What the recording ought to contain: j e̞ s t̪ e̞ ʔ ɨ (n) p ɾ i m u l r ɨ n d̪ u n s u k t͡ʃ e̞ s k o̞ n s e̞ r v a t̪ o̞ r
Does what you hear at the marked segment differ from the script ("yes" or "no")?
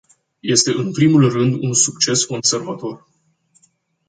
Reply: no